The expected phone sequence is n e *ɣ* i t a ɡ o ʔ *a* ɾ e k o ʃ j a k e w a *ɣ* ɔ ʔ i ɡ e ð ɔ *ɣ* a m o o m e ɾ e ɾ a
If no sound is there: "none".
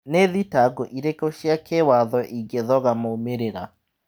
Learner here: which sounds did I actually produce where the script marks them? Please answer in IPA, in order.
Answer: ð, i, ð, ɣ

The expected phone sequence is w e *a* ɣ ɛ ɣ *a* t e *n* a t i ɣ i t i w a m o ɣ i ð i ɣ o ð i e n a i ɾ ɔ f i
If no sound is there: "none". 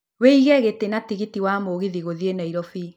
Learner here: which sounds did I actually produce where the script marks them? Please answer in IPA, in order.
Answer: i, e, n

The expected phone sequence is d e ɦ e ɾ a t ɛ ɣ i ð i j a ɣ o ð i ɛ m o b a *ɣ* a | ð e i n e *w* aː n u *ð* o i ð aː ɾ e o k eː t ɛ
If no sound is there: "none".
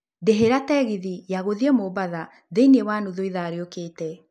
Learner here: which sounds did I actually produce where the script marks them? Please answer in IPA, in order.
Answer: ð, w, ð

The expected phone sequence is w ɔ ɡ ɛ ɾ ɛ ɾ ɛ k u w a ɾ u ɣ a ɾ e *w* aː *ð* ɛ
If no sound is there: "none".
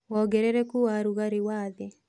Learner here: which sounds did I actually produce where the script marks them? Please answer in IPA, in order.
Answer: w, ð

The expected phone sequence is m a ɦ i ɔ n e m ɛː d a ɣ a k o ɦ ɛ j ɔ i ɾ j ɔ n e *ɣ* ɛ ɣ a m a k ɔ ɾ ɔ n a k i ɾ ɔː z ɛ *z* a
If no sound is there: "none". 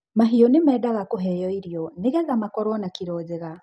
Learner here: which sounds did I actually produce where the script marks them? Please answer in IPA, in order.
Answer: ɣ, ɣ

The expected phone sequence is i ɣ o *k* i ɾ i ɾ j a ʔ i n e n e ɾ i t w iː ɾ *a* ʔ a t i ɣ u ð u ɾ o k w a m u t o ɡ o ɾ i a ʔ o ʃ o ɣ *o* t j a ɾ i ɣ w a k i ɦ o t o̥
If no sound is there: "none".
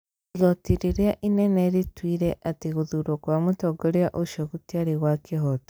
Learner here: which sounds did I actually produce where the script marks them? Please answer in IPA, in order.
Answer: t, e, u

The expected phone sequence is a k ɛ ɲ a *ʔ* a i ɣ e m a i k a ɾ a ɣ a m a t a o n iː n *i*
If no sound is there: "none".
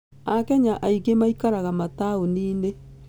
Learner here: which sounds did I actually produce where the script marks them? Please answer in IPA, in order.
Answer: ʔ, e

